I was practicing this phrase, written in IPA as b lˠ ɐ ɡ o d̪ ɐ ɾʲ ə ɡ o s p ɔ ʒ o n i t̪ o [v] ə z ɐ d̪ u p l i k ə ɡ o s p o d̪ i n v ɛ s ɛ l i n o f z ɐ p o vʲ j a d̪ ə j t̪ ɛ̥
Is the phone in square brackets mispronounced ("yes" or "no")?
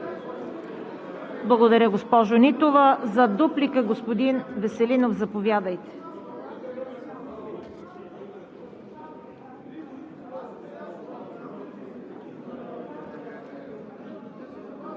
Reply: no